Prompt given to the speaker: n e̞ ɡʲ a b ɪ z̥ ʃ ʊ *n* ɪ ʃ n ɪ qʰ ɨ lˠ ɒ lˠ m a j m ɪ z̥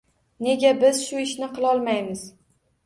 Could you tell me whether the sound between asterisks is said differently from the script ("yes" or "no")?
yes